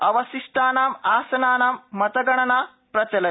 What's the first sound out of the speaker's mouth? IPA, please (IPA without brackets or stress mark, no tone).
ɐ